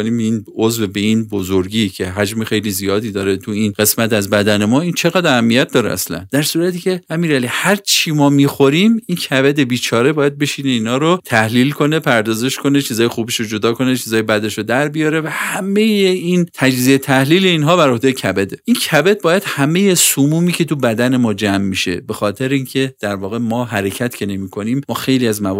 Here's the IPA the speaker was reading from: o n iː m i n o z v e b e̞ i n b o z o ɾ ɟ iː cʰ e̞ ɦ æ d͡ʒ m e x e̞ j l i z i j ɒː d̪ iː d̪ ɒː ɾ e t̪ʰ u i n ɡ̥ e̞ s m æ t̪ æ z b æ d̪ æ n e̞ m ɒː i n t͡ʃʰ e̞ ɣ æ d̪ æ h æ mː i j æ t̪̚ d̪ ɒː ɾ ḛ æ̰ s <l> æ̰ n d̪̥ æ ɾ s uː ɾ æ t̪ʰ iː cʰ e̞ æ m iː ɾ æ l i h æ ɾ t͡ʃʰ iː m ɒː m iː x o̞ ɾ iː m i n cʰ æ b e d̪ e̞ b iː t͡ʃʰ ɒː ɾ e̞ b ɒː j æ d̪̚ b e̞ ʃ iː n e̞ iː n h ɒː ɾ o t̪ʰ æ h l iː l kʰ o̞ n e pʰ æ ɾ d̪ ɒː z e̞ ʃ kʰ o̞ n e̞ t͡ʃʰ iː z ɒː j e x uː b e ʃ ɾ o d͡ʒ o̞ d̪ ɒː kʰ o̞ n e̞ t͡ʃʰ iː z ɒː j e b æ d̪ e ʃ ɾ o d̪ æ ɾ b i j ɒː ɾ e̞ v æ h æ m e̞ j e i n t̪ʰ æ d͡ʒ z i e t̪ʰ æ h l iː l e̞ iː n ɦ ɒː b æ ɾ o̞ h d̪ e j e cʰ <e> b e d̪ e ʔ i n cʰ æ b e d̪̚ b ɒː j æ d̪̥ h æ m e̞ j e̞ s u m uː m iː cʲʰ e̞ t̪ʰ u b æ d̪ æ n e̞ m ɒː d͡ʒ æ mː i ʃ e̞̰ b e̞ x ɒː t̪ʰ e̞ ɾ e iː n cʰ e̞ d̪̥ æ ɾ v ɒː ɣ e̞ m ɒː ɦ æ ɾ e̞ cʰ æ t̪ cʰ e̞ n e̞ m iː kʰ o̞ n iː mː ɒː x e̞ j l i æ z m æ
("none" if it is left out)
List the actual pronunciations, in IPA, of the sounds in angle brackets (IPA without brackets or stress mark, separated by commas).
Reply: l, æ